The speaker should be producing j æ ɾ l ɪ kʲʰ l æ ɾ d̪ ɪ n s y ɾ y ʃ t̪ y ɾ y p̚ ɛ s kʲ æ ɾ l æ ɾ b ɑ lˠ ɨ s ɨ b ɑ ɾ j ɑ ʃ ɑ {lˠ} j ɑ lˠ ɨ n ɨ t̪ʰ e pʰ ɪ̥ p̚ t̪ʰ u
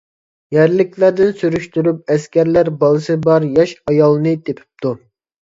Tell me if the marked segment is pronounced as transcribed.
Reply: no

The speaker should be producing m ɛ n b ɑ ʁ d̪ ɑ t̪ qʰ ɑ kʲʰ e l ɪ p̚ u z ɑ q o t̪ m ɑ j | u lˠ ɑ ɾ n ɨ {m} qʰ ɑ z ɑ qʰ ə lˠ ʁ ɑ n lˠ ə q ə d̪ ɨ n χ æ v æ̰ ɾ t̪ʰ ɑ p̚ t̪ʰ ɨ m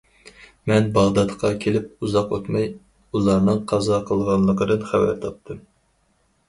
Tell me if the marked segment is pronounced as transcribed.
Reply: no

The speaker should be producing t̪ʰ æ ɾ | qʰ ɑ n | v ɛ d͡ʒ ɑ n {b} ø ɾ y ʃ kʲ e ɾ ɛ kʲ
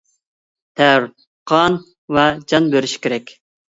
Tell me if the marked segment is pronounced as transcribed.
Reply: yes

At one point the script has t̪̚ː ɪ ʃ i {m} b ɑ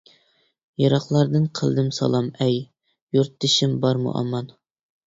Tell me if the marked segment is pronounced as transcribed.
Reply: yes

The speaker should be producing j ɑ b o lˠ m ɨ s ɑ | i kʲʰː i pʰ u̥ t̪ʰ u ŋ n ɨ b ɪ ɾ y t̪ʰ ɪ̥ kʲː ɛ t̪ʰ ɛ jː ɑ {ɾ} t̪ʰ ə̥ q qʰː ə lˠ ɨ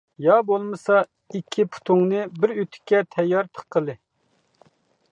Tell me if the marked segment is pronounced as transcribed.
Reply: yes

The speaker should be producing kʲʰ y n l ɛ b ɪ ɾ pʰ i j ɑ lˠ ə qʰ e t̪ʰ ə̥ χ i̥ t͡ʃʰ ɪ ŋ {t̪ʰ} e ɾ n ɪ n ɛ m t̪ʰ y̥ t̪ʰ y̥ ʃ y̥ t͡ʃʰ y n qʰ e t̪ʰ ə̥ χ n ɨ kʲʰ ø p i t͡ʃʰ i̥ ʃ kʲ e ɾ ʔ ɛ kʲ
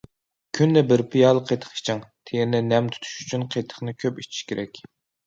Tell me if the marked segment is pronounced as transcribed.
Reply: yes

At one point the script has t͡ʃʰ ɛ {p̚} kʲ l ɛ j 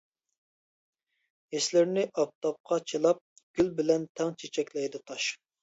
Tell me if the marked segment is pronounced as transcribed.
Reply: no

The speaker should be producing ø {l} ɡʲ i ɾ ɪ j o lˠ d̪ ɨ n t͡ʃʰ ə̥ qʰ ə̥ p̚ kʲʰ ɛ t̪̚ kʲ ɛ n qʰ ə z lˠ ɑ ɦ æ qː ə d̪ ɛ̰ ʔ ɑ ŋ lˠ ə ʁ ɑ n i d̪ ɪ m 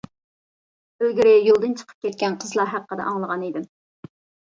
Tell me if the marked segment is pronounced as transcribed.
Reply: yes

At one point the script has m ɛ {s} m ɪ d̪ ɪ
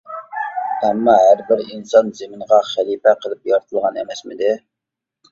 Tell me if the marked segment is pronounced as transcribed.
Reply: yes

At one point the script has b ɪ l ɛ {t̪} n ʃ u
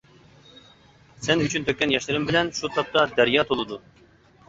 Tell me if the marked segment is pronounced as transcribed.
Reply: no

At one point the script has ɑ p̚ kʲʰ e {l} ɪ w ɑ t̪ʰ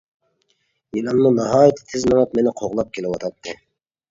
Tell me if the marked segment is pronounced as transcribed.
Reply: yes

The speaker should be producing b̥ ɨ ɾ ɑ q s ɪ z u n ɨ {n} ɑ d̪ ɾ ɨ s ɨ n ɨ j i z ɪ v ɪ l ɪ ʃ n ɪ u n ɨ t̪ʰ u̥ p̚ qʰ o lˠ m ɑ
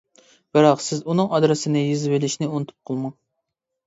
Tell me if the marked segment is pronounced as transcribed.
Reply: no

